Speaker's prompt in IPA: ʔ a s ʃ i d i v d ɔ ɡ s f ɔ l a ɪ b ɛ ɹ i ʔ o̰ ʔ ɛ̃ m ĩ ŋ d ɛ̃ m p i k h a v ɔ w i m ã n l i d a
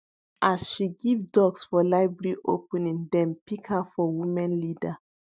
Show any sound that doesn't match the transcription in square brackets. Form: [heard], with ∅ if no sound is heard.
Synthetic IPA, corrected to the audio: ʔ a s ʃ i [ɡ] i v d ɔ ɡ s f ɔ l a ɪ b ɛ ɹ i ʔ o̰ [p] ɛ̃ [n] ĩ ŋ d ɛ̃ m p i k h a [f] ɔ w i m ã n l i d a